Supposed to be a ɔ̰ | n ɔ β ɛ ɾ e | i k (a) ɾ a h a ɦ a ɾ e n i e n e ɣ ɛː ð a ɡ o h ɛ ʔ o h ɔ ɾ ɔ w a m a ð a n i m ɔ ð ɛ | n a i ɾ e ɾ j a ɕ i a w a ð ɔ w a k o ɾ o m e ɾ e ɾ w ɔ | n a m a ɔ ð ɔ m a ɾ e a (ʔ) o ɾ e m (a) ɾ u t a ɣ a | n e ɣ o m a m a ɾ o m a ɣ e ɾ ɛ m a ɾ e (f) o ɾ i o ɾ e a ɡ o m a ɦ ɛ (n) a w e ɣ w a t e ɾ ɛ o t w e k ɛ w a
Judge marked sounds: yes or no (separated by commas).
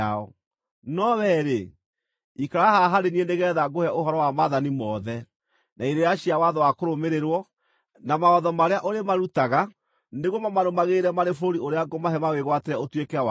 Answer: yes, yes, yes, yes, no